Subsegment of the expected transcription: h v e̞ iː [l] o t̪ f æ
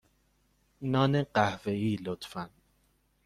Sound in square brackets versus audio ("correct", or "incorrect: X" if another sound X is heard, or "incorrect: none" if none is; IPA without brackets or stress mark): correct